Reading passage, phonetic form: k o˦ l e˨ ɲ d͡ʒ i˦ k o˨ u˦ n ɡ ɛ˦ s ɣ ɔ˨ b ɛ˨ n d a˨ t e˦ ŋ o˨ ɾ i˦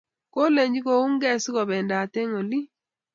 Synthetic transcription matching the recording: k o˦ l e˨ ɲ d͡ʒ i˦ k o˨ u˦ ŋ ɡ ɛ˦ s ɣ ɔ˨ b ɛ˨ n d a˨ t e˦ ŋ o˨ l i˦